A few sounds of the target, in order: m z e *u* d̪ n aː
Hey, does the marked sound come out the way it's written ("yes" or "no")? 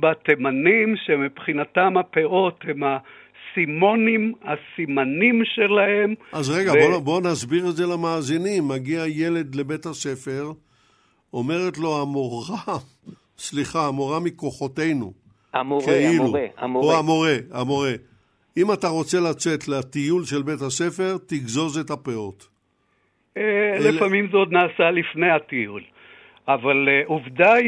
no